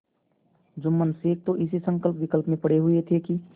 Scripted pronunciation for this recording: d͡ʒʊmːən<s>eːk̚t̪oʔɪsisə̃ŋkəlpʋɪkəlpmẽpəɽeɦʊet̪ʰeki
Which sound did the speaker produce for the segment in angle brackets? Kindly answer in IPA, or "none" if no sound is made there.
s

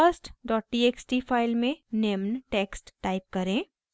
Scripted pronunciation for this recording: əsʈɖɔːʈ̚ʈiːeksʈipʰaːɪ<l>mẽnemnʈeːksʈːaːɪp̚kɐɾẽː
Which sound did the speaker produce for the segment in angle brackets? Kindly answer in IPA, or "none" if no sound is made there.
l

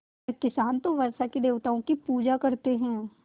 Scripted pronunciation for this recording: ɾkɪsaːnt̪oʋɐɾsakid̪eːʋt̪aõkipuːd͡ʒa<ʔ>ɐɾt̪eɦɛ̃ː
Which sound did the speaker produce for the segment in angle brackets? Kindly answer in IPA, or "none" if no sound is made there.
k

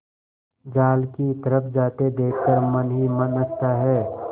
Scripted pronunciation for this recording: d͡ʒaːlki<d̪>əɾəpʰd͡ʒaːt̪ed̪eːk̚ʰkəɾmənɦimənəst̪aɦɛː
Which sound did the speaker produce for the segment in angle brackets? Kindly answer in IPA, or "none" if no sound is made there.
t̪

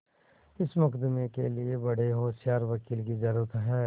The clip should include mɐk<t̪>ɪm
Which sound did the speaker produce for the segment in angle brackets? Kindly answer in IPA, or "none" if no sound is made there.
d̪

